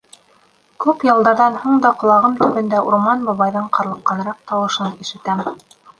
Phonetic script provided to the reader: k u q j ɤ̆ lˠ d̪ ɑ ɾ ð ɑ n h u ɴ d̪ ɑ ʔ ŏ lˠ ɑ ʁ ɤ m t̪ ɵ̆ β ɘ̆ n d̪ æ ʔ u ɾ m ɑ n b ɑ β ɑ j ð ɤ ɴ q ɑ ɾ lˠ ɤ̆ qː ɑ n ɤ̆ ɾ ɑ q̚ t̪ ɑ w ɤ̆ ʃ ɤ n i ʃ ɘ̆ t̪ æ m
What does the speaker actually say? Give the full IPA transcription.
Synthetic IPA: k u p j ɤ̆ lˠ d̪ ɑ ɾ ð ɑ n h u ɴ d̪ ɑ q ŏ lˠ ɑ ʁ ɤ m t̪ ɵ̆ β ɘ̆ n d̪ æ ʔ u ɾ m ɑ n b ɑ β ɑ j ð ɤ ɴ q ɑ ɾ lˠ ɤ̆ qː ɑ n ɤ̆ ɾ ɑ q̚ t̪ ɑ w ɤ̆ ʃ ɤ n i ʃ ɘ̆ t̪ æ m